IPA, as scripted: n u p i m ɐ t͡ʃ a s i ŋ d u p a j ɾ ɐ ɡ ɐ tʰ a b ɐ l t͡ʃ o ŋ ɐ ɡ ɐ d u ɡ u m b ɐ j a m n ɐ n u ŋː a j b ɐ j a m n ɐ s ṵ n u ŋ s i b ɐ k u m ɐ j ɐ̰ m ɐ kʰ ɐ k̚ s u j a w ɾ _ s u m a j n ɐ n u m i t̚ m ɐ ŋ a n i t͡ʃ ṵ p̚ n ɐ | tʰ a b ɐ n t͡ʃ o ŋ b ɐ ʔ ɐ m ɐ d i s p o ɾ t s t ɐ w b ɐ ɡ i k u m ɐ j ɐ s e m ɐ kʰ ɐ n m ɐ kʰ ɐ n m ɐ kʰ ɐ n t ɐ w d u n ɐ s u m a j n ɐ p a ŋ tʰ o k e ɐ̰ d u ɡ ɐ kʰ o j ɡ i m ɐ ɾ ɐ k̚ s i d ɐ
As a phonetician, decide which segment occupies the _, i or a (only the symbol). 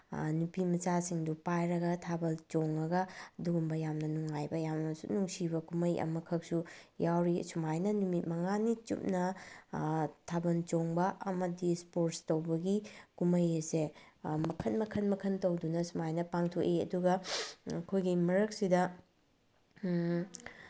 i